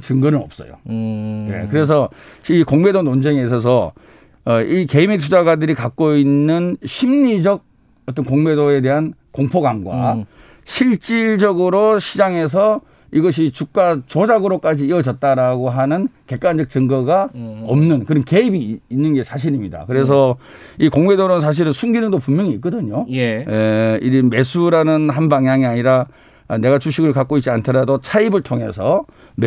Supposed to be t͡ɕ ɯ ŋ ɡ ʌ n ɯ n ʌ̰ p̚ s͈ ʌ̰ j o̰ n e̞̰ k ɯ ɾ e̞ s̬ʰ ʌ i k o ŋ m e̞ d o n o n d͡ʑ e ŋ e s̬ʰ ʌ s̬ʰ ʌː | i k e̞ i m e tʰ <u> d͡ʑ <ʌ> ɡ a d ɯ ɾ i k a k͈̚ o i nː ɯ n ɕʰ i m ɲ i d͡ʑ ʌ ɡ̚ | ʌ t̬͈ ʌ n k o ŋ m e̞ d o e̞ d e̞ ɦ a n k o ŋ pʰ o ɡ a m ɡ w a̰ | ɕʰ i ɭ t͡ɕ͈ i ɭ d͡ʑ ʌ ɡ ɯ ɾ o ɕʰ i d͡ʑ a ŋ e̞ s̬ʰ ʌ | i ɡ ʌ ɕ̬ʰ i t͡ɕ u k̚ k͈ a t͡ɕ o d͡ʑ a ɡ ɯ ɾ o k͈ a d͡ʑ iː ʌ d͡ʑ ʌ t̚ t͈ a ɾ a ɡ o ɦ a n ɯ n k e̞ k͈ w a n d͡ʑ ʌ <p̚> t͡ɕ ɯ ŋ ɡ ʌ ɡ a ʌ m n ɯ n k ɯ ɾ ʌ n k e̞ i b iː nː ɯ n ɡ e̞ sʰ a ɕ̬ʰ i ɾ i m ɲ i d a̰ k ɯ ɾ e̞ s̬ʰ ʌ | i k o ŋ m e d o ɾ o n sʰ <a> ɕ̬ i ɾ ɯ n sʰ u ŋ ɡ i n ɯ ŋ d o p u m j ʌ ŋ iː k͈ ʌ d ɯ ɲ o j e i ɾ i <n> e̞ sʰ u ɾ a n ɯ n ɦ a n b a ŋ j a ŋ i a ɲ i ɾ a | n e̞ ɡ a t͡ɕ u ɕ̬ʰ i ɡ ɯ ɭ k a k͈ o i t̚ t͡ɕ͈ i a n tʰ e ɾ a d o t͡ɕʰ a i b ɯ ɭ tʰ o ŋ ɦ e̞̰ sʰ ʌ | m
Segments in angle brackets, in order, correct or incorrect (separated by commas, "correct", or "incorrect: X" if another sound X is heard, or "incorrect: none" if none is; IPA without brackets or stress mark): correct, incorrect: a, incorrect: k̚, correct, incorrect: m